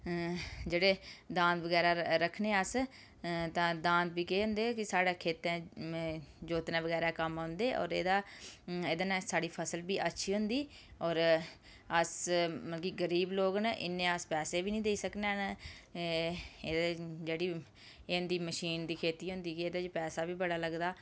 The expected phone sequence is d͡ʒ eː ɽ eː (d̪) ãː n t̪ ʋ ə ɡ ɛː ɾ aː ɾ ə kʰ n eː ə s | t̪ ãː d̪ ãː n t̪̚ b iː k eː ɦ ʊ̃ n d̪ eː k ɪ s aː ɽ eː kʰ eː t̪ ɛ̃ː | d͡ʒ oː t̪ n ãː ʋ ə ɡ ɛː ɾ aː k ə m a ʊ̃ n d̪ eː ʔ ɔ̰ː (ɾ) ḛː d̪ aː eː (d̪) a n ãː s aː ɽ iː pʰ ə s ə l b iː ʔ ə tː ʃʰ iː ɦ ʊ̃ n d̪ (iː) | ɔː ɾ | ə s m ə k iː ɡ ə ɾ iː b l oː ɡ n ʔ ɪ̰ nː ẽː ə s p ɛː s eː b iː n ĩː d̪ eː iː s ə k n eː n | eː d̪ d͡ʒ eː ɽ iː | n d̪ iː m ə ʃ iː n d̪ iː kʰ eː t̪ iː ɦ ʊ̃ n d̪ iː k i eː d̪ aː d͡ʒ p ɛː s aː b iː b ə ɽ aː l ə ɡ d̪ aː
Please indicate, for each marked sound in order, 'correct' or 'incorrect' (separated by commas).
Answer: correct, correct, correct, correct